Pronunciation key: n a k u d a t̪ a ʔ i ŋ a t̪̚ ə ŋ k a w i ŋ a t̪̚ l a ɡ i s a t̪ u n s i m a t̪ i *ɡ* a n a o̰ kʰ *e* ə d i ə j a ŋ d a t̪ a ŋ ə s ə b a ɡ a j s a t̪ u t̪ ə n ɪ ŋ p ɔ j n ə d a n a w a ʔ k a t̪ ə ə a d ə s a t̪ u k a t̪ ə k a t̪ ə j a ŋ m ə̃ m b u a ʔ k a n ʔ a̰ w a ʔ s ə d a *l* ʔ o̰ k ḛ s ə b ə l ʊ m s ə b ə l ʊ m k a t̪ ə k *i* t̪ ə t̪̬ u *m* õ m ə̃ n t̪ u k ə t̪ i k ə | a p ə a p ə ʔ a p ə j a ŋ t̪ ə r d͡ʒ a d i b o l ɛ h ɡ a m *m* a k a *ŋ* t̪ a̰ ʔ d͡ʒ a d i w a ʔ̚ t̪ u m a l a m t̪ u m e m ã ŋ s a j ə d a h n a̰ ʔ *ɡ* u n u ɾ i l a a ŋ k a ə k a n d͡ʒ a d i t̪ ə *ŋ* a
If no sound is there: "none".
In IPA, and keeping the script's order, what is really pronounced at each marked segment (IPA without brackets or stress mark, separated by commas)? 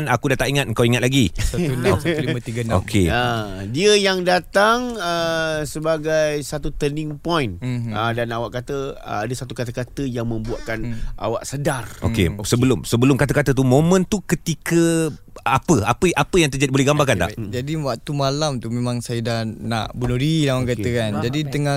ɡ, e, r, a, m, b, n, b, ŋ